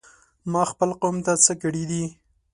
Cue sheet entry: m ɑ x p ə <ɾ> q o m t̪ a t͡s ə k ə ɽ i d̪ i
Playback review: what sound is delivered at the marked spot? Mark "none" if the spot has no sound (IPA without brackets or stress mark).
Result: l